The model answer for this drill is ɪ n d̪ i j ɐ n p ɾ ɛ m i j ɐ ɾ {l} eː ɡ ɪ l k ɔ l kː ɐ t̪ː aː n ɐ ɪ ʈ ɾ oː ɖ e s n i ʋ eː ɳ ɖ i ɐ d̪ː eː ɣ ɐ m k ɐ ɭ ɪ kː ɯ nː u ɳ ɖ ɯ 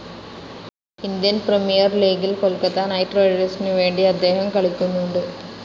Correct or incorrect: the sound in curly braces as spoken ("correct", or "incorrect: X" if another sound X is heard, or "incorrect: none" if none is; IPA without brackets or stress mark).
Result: correct